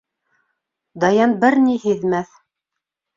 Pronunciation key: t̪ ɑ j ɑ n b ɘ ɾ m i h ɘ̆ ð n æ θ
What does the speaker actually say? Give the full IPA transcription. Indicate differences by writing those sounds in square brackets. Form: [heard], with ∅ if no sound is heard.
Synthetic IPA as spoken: [d̪] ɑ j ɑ n b ɘ ɾ [n] i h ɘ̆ ð [m] æ θ